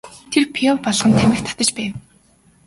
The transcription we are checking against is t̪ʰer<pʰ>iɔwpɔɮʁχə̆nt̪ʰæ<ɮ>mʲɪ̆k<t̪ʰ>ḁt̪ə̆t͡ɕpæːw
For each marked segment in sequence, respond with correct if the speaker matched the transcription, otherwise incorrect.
correct, incorrect, correct

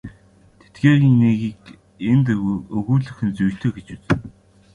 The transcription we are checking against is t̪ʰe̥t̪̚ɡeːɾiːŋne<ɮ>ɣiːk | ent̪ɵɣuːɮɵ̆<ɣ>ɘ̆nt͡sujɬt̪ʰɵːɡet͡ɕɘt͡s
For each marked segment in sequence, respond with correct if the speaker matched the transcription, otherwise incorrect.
incorrect, incorrect

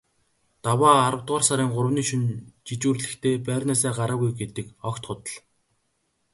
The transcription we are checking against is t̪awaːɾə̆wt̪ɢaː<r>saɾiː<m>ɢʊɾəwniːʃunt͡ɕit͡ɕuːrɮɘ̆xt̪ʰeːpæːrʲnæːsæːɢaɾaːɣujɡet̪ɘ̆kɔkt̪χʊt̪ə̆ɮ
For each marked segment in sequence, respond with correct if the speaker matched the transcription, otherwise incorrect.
correct, incorrect

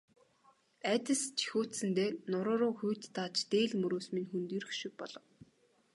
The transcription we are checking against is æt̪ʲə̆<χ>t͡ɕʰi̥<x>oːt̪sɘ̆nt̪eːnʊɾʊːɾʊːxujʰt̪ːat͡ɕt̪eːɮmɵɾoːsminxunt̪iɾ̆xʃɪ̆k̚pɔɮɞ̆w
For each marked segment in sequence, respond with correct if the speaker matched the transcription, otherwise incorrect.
incorrect, correct

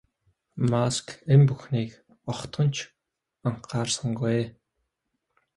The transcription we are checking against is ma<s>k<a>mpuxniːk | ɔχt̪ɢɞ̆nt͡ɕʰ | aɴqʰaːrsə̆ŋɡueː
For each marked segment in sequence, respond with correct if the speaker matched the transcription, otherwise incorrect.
correct, incorrect

